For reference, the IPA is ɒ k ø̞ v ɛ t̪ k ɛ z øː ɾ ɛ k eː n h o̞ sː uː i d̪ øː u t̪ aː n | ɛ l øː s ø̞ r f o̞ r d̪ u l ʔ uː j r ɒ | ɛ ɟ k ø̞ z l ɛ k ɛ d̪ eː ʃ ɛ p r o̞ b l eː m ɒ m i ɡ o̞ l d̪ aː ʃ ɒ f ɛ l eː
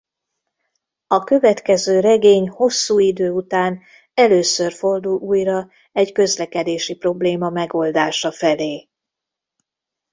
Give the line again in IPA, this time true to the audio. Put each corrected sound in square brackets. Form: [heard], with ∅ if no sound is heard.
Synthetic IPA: ɒ k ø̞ v ɛ t̪ k ɛ z øː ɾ ɛ [ɡ] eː [ɲ] h o̞ sː uː i d̪ øː u t̪ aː n | ɛ l øː s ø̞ r f o̞ r d̪ u l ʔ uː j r ɒ | ɛ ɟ k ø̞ z l ɛ k ɛ d̪ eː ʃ [i] p r o̞ b l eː m ɒ m [ɛ] ɡ o̞ l d̪ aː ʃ ɒ f ɛ l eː

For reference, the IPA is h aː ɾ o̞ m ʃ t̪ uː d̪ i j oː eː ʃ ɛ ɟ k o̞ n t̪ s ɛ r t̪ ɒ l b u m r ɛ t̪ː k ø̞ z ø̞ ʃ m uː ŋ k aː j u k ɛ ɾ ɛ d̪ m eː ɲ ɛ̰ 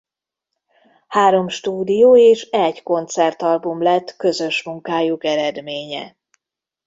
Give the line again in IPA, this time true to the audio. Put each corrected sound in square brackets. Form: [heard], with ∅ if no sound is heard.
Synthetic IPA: h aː ɾ o̞ m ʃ t̪ uː d̪ i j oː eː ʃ ɛ ɟ k o̞ n t̪ s ɛ r t̪ ɒ l b u m [l] ɛ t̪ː k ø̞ z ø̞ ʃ m [u] ŋ k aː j u k ɛ ɾ ɛ d̪ m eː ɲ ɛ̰

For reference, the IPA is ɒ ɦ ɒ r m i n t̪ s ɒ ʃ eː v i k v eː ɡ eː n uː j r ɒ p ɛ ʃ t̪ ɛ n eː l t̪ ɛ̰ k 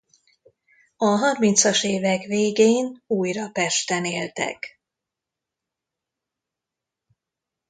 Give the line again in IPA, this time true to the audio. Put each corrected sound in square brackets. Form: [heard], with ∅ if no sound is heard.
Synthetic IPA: ɒ ɦ ɒ r m i n t̪ s ɒ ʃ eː v [ɛ] k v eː ɡ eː n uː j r ɒ p ɛ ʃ t̪ ɛ n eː l t̪ ɛ̰ k

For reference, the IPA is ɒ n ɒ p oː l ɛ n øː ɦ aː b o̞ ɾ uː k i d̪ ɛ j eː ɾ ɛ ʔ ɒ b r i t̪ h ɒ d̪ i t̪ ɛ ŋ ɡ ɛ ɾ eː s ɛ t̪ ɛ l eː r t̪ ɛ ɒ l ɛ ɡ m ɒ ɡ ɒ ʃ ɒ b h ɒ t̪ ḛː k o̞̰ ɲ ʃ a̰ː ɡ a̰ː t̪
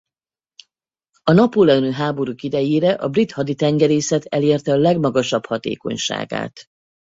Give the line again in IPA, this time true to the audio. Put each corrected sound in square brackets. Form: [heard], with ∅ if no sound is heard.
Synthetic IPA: ɒ n ɒ p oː l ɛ n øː ɦ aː b o̞ ɾ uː k i d̪ ɛ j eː ɾ ɛ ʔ ɒ b r i t̪ h ɒ d̪ i t̪ ɛ ŋ ɡ ɛ ɾ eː s ɛ t̪ ɛ l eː r t̪ ɛ ɒ l ɛ ɡ m ɒ ɡ ɒ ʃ ɒ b h ɒ t̪ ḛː k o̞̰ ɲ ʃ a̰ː ɡ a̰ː t̪

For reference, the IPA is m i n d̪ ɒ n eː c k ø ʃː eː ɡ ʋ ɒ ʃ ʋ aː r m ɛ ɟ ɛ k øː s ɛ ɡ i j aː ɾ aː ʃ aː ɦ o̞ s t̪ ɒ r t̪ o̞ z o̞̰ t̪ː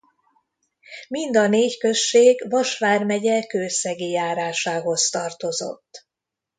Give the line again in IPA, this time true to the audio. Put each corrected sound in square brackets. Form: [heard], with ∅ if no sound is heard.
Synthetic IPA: m i n d̪ ɒ n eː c k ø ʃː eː ɡ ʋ ɒ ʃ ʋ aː r m ɛ ɟ ɛ k øː s ɛ ɡ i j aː ɾ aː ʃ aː ɦ o̞ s t̪ ɒ r t̪ o̞ z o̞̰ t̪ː

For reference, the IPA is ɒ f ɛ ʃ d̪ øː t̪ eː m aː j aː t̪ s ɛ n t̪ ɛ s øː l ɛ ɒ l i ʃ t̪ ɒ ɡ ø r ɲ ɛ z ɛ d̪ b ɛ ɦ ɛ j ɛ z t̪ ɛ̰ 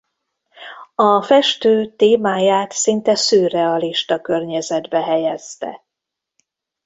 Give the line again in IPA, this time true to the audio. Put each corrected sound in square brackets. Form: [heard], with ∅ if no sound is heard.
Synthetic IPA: ɒ f ɛ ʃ [t̪] øː t̪ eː m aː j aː t̪ s [i] n t̪ ɛ s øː [r] ɛ ɒ l i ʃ t̪ ɒ [k] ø r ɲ ɛ z ɛ d̪ b ɛ ɦ ɛ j ɛ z t̪ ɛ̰

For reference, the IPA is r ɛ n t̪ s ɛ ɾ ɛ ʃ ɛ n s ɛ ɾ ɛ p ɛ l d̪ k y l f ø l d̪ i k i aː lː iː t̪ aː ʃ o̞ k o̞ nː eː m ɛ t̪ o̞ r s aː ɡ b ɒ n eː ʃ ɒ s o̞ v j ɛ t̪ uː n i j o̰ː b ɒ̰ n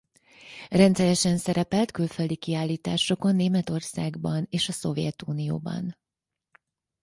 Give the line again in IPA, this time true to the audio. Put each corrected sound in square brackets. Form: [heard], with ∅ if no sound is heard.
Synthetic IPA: r ɛ n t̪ s ɛ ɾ ɛ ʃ ɛ n s ɛ ɾ ɛ p ɛ l [t̪] k y l f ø l d̪ i k i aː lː iː t̪ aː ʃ o̞ k o̞ nː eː m ɛ t̪ o̞ r s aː ɡ b ɒ n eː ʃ ɒ s o̞ v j ɛ t̪ uː n i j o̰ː b ɒ̰ n

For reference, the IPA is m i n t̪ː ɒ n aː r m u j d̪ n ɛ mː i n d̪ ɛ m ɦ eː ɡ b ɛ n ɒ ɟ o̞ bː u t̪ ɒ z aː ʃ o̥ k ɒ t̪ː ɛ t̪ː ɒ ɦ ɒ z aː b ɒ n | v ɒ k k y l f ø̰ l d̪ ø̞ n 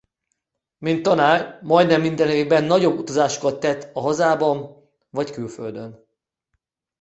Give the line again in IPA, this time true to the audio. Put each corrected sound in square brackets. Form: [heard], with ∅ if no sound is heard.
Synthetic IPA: m i n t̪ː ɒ n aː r m [ɒ] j d̪ n ɛ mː i n d̪ ɛ [n] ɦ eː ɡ b ɛ [nː] ɒ ɟ o̞ bː u t̪ ɒ z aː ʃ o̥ k ɒ t̪ː ɛ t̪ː ɒ ɦ ɒ z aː b ɒ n | v ɒ [c] k y l f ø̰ l d̪ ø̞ n

